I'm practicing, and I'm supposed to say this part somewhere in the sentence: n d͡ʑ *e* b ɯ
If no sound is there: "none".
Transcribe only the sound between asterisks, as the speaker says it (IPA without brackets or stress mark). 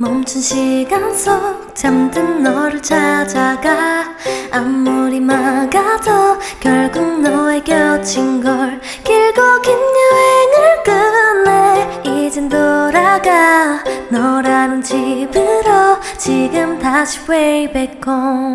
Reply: i